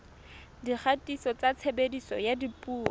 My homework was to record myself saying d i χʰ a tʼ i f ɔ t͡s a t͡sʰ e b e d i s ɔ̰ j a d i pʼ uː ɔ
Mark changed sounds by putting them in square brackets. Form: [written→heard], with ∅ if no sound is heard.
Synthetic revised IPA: d i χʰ a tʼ i [f→s] ɔ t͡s a t͡sʰ e b e d i s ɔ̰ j a d i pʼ uː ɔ